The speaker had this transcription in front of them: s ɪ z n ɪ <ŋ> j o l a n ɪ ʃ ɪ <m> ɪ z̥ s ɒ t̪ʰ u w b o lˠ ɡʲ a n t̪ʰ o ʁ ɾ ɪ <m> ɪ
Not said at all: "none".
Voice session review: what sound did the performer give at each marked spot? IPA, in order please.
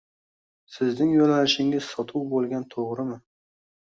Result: ŋ, ŋ, m

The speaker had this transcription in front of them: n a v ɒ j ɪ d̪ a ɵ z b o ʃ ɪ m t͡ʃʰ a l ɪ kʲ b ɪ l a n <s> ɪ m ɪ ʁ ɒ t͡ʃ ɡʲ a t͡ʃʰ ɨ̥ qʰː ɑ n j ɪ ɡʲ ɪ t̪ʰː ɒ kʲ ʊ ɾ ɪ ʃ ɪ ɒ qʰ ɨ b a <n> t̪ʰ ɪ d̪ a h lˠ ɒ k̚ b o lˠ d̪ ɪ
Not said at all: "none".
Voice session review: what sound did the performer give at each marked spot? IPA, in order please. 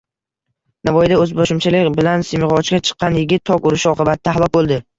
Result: s, none

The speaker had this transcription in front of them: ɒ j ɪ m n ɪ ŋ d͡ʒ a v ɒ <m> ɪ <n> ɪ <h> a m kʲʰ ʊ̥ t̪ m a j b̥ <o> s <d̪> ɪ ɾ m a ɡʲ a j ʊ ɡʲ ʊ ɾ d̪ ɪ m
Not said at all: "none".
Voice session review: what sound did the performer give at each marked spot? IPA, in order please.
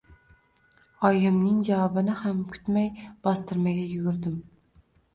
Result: b, n, h, ɒ, t̪

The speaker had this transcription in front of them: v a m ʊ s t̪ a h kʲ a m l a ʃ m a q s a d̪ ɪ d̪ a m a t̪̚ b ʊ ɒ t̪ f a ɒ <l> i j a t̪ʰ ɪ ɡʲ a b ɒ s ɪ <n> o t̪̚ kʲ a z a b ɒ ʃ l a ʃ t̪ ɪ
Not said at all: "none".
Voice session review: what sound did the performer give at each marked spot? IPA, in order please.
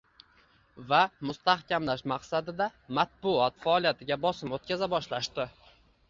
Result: l, m

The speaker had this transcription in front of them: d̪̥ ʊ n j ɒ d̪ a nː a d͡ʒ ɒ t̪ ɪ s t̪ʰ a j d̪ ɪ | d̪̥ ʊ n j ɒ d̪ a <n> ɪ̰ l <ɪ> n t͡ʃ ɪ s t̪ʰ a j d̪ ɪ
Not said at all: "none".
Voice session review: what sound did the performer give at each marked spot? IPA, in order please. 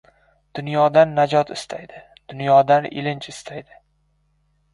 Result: n, ɪ

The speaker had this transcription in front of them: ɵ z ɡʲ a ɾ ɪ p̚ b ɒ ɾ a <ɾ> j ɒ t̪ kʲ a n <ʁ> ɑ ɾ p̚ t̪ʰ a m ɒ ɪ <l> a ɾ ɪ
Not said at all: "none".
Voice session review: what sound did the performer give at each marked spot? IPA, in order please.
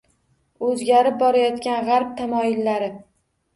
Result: none, ʁ, lː

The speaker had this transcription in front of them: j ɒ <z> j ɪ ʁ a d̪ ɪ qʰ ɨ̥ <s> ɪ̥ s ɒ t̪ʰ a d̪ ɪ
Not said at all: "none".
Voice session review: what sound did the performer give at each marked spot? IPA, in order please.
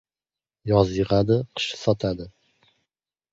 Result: z, ʃ

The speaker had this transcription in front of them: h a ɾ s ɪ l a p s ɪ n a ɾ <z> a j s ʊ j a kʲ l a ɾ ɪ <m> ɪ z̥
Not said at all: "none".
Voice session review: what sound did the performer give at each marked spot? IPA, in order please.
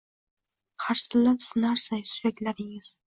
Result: s, ŋ

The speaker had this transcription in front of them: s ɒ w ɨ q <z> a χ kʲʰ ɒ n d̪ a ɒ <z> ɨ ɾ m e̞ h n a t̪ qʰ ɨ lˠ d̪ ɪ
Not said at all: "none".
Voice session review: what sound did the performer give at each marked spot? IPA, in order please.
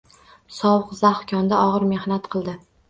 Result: z, ʁ

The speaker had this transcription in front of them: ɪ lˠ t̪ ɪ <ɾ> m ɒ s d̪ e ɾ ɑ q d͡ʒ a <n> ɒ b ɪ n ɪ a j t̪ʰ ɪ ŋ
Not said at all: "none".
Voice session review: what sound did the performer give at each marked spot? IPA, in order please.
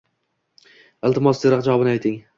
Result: none, none

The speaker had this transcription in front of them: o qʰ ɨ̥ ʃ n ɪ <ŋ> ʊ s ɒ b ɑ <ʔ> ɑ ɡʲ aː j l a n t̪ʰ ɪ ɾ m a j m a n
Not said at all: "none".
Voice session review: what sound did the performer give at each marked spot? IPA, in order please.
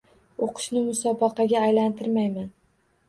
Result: m, q

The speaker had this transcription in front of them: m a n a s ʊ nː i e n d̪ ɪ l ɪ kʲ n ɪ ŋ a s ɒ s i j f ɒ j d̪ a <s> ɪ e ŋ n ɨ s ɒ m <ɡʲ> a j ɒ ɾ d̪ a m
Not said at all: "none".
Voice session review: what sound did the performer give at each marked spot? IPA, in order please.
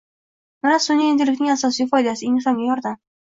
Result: s, ɡʲ

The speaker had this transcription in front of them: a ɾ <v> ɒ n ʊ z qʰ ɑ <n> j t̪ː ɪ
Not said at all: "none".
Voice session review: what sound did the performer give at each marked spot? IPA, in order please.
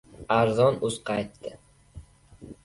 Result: z, none

